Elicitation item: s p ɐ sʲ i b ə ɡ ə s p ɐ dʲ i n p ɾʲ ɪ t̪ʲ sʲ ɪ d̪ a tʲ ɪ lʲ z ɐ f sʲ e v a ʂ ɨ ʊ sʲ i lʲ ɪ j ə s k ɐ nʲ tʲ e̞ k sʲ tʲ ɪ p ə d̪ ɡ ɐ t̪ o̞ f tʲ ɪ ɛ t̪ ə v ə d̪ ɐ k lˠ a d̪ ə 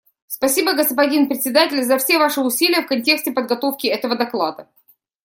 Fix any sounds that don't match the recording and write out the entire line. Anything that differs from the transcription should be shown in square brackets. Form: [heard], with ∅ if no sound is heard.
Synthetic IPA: s p ɐ sʲ i b ə ɡ ə s p ɐ dʲ i n p ɾʲ ɪ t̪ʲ sʲ ɪ d̪ a tʲ ɪ lʲ z ɐ f sʲ e v a ʂ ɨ ʊ sʲ i lʲ ɪ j ə [f] k ɐ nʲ tʲ e̞ k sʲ tʲ ɪ p ə d̪ ɡ ɐ t̪ o̞ f [kʲ] ɪ ɛ t̪ ə v ə d̪ ɐ k lˠ a d̪ ə

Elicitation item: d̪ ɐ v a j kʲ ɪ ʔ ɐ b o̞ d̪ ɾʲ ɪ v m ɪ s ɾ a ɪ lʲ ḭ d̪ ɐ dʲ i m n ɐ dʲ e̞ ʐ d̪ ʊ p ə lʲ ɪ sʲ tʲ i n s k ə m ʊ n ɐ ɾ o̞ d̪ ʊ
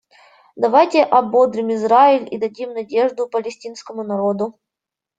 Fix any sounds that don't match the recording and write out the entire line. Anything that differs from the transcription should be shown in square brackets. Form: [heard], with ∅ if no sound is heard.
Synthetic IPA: d̪ ɐ v a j [tʲ] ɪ ʔ ɐ b o̞ d̪ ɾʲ ɪ [∅] m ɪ [z] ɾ a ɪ lʲ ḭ d̪ ɐ dʲ i m n ɐ dʲ e̞ ʐ d̪ ʊ p ə lʲ ɪ sʲ tʲ i n s k ə m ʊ n ɐ ɾ o̞ d̪ ʊ

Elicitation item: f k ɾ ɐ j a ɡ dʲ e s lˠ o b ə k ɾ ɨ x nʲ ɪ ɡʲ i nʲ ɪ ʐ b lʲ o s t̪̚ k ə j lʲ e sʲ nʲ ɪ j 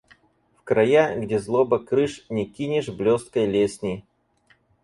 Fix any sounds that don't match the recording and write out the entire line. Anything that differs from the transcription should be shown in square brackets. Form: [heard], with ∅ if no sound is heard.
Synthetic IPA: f k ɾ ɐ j a ɡ dʲ e [z] lˠ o b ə k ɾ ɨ [ʂ] nʲ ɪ [kʲ] i nʲ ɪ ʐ b lʲ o s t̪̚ k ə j lʲ e sʲ nʲ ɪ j

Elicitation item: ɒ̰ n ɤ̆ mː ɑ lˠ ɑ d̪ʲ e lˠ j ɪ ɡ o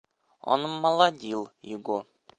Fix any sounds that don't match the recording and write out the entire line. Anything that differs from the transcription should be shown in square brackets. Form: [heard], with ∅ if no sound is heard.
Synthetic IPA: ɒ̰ n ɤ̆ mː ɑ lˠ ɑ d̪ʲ [i] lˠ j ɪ ɡ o

